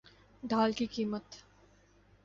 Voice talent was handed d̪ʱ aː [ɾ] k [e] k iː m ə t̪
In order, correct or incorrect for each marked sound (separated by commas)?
incorrect, incorrect